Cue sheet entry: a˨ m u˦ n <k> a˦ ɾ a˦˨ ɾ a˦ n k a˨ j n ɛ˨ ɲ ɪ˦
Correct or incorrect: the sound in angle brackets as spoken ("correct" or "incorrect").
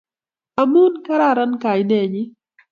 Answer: correct